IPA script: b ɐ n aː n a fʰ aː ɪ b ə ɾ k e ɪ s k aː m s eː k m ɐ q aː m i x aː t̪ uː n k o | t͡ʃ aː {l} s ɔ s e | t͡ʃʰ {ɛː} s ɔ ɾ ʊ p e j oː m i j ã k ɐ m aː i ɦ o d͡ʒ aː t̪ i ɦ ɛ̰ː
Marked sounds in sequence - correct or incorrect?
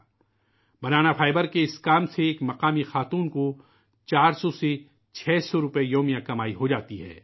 incorrect: ɾ, correct

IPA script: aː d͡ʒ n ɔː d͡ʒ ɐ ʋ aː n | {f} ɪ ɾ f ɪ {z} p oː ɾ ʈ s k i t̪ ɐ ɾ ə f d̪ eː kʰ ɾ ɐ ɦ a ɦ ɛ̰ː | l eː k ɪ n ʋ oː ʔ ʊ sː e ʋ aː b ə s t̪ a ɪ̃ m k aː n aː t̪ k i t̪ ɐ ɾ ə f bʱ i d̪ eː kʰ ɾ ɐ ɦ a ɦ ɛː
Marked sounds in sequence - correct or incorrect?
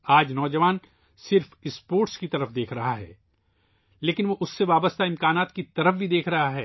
incorrect: s, incorrect: s

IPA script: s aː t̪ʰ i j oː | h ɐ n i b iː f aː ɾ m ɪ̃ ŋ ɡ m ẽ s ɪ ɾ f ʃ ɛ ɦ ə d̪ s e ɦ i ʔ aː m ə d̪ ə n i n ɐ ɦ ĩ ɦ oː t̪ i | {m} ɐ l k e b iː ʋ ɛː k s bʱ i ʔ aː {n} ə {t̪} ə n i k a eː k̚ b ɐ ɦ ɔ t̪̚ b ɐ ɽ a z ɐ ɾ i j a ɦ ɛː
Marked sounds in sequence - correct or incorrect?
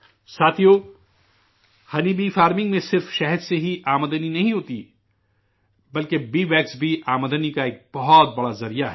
incorrect: b, incorrect: m, incorrect: d̪

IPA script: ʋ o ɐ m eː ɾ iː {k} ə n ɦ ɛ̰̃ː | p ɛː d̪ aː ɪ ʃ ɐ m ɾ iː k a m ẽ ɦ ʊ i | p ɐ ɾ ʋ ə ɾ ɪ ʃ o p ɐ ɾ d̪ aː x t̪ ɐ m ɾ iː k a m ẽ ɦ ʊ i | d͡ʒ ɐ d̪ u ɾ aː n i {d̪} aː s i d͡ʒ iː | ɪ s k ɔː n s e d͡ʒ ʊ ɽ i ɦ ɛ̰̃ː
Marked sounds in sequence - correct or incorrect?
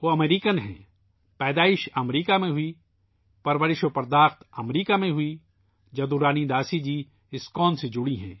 correct, correct

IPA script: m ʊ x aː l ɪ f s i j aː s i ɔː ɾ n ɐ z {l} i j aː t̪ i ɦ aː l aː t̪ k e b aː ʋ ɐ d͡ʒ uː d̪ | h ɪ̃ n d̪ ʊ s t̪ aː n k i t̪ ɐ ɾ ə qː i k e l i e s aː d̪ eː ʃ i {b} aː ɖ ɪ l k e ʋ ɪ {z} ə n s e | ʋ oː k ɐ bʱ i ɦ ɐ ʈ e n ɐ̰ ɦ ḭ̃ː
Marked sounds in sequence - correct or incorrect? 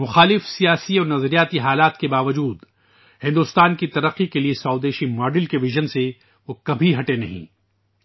incorrect: ɾ, incorrect: m, incorrect: ʒ

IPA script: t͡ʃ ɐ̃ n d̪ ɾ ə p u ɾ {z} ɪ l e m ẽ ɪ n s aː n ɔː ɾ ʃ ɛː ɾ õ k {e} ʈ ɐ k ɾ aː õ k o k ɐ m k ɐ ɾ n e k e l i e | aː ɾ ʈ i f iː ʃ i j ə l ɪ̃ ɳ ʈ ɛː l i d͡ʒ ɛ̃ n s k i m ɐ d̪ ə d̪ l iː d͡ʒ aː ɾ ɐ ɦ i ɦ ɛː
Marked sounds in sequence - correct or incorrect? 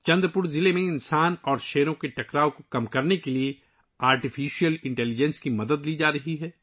correct, correct

